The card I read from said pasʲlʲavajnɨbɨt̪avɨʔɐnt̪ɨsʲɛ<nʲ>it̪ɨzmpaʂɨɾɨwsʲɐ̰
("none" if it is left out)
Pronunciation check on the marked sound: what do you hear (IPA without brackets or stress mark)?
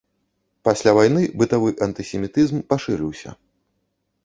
mʲ